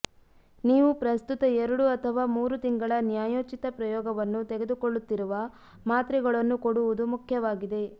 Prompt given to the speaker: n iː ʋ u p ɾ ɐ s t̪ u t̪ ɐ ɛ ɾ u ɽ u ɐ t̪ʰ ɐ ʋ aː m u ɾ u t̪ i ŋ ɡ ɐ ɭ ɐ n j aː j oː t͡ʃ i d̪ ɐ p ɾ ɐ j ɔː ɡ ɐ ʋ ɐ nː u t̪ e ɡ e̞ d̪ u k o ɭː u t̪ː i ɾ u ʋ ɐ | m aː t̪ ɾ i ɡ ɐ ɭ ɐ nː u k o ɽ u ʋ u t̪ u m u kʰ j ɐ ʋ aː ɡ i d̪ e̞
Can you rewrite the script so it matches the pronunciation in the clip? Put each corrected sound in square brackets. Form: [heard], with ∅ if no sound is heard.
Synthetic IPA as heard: n iː ʋ u p ɾ ɐ s t̪ u t̪ ɐ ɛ ɾ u ɽ u ɐ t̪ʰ ɐ ʋ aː m [uː] ɾ u t̪ i ŋ ɡ ɐ ɭ ɐ n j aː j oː t͡ʃ i [t̪] ɐ p ɾ ɐ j ɔː ɡ ɐ ʋ ɐ nː u t̪ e ɡ e̞ d̪ u k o ɭː u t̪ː i ɾ u ʋ ɐ | m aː t̪ ɾ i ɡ ɐ ɭ ɐ nː u k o ɽ u ʋ u [d̪] u m u kʰ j ɐ ʋ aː ɡ i d̪ e̞